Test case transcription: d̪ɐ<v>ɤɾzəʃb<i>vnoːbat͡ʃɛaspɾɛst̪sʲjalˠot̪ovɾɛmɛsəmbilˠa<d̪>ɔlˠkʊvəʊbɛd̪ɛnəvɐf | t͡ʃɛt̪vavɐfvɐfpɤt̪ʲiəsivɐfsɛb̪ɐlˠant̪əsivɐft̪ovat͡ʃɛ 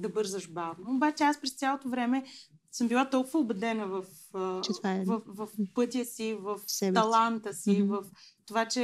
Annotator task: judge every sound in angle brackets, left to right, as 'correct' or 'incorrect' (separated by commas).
incorrect, incorrect, incorrect